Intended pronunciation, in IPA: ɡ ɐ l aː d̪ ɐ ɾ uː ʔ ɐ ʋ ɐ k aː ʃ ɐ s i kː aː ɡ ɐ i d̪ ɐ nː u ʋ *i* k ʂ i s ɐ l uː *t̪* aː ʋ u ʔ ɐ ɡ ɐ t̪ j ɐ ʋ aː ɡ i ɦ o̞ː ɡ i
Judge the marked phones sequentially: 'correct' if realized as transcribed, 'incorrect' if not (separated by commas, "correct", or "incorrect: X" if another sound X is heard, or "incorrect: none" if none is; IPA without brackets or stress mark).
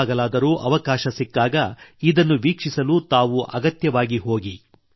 incorrect: iː, correct